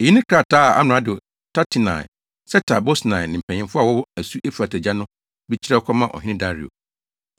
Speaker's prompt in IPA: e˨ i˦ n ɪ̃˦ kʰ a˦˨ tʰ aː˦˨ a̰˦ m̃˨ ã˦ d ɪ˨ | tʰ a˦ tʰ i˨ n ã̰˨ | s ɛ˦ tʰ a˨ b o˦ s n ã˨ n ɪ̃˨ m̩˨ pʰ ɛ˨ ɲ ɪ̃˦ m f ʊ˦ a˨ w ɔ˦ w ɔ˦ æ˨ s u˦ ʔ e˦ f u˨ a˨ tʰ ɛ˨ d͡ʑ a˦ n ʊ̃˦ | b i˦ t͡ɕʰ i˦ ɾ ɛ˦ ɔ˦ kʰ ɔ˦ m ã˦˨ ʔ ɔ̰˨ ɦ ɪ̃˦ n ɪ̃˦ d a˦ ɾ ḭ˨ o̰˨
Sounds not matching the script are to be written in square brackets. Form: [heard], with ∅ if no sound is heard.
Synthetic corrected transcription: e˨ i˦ n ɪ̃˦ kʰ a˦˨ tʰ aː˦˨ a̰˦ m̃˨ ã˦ d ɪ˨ | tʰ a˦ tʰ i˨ n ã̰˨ | s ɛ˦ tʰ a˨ b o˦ s n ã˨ n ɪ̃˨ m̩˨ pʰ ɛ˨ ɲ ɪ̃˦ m f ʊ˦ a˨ w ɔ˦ w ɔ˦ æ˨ s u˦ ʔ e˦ f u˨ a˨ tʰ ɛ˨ d͡ʑ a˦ n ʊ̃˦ | b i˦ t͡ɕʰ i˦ ɾ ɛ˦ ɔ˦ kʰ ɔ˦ m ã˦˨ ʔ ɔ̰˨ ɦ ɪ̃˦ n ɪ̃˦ d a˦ ɾ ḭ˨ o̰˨